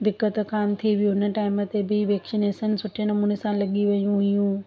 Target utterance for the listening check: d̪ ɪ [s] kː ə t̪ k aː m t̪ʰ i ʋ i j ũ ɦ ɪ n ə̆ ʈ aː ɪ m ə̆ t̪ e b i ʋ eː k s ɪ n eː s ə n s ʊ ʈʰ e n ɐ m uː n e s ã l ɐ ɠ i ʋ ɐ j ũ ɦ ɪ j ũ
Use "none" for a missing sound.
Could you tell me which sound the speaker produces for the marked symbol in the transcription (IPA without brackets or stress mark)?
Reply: none